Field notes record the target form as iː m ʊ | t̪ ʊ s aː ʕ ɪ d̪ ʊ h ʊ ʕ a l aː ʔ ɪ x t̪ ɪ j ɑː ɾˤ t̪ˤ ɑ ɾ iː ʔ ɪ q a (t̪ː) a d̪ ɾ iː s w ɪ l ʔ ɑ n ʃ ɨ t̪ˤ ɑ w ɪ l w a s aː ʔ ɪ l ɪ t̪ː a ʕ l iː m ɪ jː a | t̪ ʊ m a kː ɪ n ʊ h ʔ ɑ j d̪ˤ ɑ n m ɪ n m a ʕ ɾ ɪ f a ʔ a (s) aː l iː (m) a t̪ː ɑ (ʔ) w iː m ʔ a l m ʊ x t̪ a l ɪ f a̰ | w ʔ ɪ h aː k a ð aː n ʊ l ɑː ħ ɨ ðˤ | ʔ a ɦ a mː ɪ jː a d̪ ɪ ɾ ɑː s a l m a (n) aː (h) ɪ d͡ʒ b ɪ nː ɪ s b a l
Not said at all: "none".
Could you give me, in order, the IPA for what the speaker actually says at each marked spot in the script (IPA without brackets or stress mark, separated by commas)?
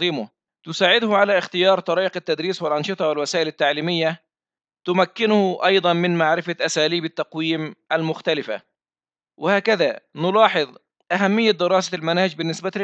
t̪ː, s, b, q, n, h